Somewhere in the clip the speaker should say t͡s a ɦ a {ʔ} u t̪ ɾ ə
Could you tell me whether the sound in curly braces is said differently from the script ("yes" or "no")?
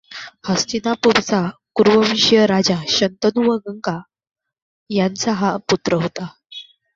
yes